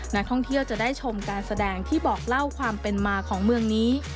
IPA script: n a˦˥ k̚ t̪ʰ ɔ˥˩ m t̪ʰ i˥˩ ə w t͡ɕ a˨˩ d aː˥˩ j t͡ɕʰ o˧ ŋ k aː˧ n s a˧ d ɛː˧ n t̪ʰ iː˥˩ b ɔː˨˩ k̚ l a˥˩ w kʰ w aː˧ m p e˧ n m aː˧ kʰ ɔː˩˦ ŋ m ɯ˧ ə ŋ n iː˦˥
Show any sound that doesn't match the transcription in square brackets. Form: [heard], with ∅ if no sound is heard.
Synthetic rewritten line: n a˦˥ k̚ t̪ʰ ɔ˥˩ [ŋ] t̪ʰ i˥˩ ə w t͡ɕ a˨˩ d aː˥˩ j t͡ɕʰ o˧ [m] k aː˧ n s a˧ d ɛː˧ [ŋ] t̪ʰ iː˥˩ b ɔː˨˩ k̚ l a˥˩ w kʰ w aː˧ m p e˧ n m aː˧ kʰ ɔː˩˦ ŋ m ɯ˧ ə ŋ n iː˦˥

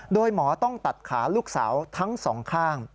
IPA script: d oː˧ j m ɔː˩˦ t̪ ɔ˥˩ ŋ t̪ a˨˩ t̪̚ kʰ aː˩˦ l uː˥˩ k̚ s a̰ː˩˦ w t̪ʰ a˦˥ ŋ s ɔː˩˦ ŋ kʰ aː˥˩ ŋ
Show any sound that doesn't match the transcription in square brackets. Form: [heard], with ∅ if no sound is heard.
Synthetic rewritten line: d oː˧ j m ɔː˩˦ t̪ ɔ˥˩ ŋ t̪ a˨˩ t̪̚ kʰ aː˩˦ l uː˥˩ k̚ s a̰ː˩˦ w t̪ʰ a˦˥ ŋ s ɔː˩˦ ŋ kʰ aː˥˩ ŋ

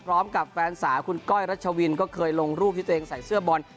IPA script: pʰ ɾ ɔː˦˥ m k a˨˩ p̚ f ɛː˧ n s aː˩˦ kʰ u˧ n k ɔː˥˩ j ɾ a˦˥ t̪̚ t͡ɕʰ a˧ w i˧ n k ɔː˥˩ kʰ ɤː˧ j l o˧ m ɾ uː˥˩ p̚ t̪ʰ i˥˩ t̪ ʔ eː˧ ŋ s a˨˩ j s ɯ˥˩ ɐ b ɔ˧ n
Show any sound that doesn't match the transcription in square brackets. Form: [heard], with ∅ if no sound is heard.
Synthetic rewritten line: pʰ ɾ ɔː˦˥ m k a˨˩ p̚ f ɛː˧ n s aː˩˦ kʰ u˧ n k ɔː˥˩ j ɾ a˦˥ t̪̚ t͡ɕʰ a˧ w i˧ n k ɔː˥˩ kʰ ɤː˧ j l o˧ [ŋ] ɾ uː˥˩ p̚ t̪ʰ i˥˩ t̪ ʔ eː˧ ŋ s a˨˩ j s ɯ˥˩ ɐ b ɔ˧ n

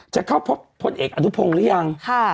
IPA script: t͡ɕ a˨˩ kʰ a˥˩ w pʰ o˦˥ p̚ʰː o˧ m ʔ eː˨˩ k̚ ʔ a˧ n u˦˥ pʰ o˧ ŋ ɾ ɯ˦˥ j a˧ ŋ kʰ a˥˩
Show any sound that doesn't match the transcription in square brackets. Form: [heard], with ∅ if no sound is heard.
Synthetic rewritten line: t͡ɕ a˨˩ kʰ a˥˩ w pʰ o˦˥ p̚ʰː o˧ [n] ʔ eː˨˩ k̚ ʔ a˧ n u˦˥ pʰ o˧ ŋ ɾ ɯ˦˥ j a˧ ŋ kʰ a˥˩

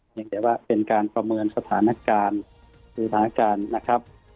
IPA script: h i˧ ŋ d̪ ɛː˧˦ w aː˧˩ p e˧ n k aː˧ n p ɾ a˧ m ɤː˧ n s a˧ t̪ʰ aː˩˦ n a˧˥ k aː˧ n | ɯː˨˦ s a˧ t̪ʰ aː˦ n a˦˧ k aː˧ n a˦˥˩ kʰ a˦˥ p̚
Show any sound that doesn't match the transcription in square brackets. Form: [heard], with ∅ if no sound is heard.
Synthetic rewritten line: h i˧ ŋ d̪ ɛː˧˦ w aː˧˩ p e˧ n k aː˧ n p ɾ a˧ m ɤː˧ n s a˧ t̪ʰ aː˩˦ n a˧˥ k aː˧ n | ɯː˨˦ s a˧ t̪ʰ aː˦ n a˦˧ k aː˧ [nː] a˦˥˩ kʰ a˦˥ p̚

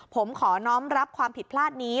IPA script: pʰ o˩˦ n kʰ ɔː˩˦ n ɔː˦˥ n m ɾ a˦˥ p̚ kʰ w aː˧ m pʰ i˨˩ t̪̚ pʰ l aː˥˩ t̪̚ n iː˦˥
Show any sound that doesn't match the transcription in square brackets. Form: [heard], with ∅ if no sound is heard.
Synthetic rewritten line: pʰ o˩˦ [m] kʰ ɔː˩˦ n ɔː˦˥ [∅] m ɾ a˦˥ p̚ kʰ w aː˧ m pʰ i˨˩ t̪̚ pʰ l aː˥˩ t̪̚ n iː˦˥

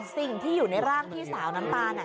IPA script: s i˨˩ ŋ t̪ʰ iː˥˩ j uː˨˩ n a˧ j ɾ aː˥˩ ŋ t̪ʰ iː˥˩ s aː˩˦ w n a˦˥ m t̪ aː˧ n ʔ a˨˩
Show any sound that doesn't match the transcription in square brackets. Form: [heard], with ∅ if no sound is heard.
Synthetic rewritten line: s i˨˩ ŋ t̪ʰ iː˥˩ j uː˨˩ n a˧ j ɾ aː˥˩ ŋ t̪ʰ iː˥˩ s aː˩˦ w n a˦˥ m t̪ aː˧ n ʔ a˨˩

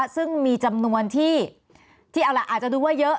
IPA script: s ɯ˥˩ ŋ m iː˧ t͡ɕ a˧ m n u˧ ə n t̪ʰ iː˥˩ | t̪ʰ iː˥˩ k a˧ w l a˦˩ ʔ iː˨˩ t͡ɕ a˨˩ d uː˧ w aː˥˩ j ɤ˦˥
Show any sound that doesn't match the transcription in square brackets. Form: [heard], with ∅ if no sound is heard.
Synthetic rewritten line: s ɯ˥˩ ŋ m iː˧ t͡ɕ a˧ m n u˧ ə n t̪ʰ iː˥˩ | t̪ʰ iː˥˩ [ʔ] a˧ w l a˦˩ ʔ [aː˨˩] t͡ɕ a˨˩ d uː˧ w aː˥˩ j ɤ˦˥

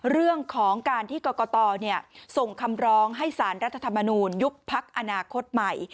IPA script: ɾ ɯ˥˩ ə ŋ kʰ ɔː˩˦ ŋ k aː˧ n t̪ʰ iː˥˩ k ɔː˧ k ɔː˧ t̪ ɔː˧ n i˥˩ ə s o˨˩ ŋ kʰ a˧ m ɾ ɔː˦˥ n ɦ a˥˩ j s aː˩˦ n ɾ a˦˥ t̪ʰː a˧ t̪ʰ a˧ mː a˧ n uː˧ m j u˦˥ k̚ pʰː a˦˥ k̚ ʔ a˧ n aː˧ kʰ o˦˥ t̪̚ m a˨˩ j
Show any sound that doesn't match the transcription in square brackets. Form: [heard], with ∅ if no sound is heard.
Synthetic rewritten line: ɾ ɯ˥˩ ə ŋ kʰ ɔː˩˦ ŋ k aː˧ n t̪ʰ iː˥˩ k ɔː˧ k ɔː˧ t̪ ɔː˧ n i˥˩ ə s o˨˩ ŋ kʰ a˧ m ɾ ɔː˦˥ [ŋ] ɦ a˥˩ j s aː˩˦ n ɾ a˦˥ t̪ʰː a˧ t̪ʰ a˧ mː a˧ n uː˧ [n] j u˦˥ k̚ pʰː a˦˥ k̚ ʔ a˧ n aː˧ kʰ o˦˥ t̪̚ m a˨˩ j

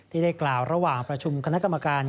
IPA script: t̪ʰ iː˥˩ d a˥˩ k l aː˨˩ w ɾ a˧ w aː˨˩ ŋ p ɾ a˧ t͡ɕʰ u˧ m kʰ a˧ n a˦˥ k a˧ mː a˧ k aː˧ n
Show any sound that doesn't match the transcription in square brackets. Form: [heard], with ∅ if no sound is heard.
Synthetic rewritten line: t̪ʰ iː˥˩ d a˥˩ k l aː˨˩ w ɾ a˧ w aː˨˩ ŋ p ɾ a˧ t͡ɕʰ u˧ m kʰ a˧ n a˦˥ k a˧ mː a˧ k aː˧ n

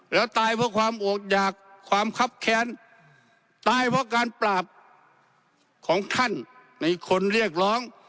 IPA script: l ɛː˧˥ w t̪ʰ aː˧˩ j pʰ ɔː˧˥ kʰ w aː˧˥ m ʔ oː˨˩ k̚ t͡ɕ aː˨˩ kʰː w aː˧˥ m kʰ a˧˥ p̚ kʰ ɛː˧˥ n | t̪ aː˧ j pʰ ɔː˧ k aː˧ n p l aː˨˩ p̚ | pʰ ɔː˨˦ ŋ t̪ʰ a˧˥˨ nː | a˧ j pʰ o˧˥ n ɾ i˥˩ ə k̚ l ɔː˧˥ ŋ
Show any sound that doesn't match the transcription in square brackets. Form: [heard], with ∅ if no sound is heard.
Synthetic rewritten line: l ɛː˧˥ w [t̪] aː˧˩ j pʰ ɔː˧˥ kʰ w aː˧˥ m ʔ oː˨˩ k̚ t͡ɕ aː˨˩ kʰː w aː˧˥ m kʰ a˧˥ p̚ kʰ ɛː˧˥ n | t̪ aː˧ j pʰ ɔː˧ k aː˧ n p l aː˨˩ p̚ | [kʰ] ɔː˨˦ ŋ t̪ʰ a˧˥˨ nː | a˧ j [kʰ] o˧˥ n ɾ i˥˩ ə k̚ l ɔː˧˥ ŋ

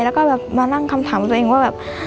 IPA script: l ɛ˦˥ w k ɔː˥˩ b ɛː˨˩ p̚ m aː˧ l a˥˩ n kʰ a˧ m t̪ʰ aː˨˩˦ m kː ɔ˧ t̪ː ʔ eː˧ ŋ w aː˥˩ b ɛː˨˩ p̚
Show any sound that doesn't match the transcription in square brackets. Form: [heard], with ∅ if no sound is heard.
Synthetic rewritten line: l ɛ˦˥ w k ɔː˥˩ b ɛː˨˩ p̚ m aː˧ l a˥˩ [ŋ] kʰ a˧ m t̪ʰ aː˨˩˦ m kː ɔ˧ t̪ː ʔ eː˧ ŋ w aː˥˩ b ɛː˨˩ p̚

